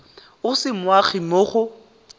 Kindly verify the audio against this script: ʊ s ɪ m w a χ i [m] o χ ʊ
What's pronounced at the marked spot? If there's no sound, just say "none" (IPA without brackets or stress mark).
m